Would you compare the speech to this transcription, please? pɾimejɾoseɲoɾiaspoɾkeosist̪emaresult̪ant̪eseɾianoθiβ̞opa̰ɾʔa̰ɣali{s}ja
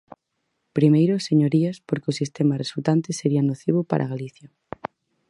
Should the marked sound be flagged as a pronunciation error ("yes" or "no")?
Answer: yes